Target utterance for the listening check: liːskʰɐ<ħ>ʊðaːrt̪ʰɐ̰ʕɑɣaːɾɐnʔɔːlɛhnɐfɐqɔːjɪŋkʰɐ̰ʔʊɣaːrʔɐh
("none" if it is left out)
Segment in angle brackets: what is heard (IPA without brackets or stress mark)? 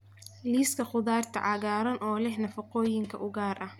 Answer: χ